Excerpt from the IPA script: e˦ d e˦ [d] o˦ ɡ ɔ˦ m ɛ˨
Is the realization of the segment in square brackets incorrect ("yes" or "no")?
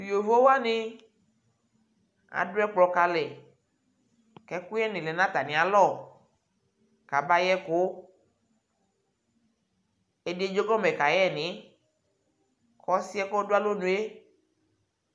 yes